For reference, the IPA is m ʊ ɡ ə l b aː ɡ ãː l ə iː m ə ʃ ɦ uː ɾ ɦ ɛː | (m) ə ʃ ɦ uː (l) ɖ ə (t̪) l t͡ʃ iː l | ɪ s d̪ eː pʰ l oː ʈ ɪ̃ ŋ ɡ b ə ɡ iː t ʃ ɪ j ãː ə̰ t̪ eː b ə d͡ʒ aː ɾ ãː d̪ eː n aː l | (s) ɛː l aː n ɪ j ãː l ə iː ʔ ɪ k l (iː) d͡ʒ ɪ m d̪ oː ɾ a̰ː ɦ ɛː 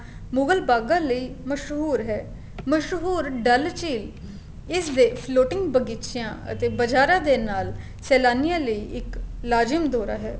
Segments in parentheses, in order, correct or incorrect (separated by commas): correct, incorrect, incorrect, correct, incorrect